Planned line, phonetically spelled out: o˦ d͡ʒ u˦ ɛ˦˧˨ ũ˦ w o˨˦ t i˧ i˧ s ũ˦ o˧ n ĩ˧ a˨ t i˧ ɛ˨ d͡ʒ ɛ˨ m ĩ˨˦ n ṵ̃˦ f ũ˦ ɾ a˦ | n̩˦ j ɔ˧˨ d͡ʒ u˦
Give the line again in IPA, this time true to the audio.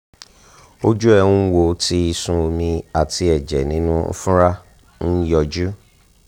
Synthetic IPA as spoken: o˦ d͡ʒ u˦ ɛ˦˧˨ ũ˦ w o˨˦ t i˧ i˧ s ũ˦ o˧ m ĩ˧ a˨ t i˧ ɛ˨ d͡ʒ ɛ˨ n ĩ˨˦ n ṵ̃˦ f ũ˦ ɾ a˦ | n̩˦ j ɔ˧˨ d͡ʒ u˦

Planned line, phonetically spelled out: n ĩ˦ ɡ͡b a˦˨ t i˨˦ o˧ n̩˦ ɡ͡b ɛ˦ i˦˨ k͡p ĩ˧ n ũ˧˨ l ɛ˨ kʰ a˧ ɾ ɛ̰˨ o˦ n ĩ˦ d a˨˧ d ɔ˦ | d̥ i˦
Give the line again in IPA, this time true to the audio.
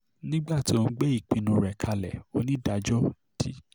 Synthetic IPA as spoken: n ĩ˦ ɡ͡b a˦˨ t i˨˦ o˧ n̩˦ ɡ͡b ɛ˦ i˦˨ k͡p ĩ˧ n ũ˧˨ ɾ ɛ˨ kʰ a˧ l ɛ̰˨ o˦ n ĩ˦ d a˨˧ d͡ʒ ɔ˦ | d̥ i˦

